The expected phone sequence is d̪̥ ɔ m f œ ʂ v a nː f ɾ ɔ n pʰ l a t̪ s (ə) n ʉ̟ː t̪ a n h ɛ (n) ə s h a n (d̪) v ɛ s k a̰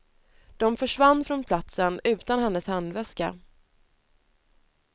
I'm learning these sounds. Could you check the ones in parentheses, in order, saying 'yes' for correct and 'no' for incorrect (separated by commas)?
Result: yes, no, yes